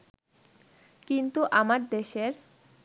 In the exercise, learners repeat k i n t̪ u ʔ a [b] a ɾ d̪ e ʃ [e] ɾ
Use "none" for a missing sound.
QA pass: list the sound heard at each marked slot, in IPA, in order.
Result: m, e

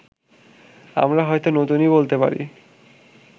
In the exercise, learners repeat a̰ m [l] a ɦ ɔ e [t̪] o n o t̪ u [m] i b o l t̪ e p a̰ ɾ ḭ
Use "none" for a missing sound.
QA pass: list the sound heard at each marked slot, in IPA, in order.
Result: ɾ, t̪, n

